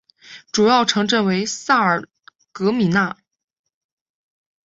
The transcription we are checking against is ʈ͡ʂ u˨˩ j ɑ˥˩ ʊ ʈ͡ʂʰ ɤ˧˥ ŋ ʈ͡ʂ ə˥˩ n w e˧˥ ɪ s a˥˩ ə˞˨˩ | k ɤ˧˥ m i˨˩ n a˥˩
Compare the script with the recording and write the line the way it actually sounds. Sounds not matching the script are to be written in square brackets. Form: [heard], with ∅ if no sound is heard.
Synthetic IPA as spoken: ʈ͡ʂ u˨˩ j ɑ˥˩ ʊ ʈ͡ʂʰ ɤ˧˥ ŋ ʈ͡ʂ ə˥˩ n w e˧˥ ɪ s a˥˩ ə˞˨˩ | k ɤ˧˥ m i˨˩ n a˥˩